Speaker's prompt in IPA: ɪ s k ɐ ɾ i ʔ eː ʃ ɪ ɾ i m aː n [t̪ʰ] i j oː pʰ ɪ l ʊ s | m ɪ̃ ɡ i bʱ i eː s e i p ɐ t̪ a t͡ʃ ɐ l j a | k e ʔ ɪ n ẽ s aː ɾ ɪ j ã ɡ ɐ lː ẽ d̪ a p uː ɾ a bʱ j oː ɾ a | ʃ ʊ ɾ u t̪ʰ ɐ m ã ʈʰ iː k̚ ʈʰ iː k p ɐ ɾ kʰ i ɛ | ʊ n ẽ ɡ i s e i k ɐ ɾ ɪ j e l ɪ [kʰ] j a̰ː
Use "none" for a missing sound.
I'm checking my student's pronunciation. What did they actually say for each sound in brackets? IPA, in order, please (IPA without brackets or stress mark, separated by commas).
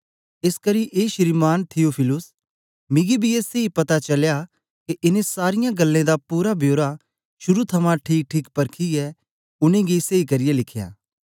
t̪ʰ, kʰ